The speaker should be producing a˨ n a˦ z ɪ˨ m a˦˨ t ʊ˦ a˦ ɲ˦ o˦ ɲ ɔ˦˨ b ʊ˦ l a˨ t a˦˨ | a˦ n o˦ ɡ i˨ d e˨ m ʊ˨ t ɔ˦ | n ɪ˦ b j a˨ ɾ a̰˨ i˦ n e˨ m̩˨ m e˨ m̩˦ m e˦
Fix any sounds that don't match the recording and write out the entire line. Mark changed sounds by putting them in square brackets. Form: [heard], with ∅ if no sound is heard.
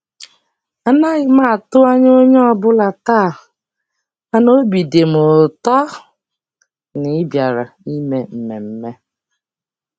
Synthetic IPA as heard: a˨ n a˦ [ɣ] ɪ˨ m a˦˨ t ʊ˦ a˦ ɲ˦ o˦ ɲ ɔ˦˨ b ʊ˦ l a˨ t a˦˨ | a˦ n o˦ [b] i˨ d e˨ m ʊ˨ t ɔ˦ | n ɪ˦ b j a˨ ɾ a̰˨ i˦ [m] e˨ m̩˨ m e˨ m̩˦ m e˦